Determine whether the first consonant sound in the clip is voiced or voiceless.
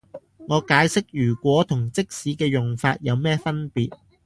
voiced